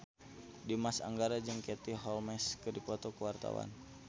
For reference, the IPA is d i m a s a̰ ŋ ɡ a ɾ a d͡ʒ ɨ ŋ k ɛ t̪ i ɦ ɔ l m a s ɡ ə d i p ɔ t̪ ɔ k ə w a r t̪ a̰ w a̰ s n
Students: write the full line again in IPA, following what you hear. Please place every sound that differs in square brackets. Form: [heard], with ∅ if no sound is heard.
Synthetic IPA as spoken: d i m a s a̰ ŋ ɡ a ɾ a d͡ʒ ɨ ŋ k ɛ t̪ i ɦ ɔ l m [ɛ] s [k] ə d i p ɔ t̪ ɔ k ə w a r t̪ a̰ w a̰ [∅] n